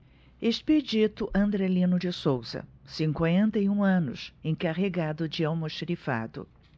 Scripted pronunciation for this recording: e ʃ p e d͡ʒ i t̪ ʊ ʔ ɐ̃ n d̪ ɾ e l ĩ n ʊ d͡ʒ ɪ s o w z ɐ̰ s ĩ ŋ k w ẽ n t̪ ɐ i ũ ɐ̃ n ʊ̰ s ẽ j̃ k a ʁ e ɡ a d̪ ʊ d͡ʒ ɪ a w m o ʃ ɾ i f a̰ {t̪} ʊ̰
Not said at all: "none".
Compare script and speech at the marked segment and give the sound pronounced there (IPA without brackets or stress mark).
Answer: d̪